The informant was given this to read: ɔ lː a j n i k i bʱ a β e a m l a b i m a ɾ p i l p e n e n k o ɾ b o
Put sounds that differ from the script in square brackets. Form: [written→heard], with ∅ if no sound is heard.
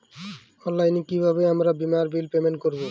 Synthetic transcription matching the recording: ɔ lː a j n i k i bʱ a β e a m [l→ɾ] a b i m a ɾ [p→b] i l p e [n→m] e n k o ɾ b o